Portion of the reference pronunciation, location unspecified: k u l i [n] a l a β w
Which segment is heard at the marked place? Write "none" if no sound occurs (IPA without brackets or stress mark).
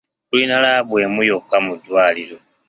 n